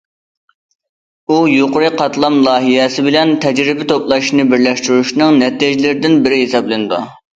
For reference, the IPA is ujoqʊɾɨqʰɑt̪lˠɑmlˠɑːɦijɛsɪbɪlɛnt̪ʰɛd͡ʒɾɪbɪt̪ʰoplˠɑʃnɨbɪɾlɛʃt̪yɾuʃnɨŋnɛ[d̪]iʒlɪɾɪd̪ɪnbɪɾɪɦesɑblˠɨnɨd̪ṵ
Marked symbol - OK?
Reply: no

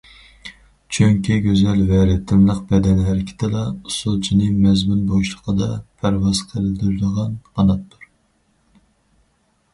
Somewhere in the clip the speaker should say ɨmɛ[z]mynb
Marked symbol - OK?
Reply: yes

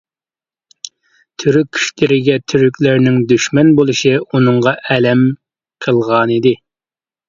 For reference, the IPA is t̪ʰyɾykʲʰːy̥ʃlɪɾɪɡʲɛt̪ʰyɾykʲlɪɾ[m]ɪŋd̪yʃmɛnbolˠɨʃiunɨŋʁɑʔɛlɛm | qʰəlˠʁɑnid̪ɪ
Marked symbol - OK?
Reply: no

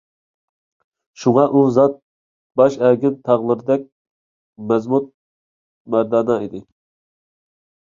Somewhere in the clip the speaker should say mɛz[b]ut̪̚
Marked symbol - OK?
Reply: no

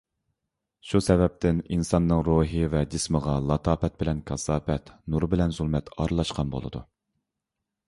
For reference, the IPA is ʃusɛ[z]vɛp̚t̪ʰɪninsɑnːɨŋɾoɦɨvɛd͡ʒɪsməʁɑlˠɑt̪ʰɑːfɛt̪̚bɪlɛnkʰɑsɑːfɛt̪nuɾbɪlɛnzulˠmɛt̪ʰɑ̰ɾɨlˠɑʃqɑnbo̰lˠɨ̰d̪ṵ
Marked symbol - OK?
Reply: no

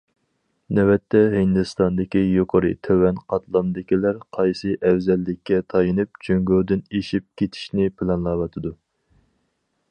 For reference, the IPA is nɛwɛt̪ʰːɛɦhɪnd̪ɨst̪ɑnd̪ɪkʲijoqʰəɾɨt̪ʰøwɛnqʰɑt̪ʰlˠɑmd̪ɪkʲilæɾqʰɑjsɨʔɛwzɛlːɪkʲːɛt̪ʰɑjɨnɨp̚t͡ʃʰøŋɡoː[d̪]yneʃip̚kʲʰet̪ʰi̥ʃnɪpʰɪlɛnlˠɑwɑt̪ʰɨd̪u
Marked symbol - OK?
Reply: yes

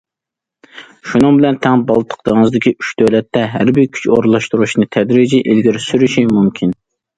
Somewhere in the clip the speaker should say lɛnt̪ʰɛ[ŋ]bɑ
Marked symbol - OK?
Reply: yes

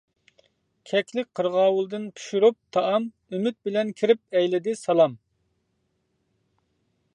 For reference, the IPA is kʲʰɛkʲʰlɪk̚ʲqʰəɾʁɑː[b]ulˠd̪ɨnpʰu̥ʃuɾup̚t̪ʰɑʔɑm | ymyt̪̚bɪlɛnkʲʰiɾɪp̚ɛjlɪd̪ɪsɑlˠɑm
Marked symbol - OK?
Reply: no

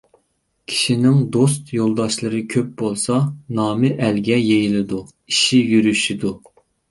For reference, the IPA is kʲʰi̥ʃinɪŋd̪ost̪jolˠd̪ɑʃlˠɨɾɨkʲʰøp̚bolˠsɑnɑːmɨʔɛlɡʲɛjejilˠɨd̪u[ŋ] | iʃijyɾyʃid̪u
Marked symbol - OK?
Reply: no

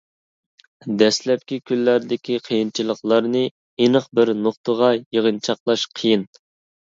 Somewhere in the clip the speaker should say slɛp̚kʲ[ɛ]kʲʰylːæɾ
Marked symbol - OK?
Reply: no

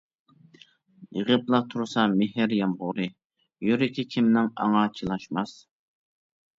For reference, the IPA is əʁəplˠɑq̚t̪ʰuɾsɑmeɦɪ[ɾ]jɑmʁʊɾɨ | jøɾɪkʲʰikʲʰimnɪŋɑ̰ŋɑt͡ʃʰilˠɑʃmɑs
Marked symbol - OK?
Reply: yes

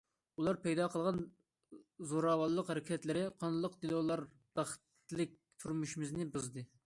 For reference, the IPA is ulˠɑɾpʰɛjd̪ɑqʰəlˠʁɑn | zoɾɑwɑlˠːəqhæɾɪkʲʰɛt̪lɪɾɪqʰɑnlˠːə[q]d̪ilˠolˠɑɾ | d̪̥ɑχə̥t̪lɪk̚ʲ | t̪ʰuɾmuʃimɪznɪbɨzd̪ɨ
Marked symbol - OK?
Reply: yes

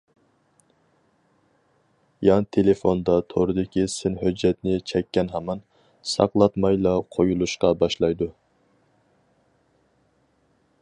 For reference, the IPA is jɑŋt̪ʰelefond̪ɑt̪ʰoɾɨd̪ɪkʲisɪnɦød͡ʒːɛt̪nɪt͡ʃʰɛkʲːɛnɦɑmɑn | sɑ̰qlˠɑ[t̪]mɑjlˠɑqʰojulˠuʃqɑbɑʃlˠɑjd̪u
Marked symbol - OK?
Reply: yes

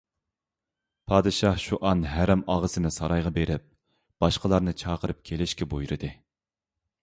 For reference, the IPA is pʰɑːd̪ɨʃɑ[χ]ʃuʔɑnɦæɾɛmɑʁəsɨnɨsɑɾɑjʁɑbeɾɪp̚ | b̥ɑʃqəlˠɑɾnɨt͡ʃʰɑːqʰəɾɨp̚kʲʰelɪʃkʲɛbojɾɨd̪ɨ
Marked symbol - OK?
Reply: no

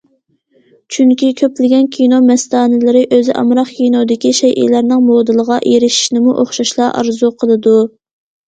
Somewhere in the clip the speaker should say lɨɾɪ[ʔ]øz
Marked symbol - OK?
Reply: yes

